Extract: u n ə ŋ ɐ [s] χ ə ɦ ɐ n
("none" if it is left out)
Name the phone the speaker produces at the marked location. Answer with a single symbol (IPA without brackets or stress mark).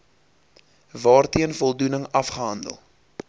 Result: f